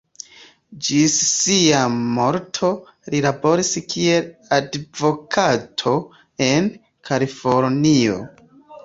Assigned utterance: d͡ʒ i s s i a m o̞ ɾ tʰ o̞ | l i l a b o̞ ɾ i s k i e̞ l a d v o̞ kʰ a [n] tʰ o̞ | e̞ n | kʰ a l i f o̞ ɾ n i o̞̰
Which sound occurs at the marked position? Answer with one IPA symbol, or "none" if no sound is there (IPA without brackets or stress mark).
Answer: none